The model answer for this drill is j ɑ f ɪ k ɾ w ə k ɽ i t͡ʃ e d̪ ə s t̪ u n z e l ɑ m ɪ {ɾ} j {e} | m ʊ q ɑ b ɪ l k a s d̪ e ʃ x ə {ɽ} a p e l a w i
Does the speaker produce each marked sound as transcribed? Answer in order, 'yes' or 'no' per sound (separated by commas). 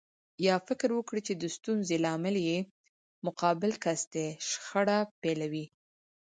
no, yes, yes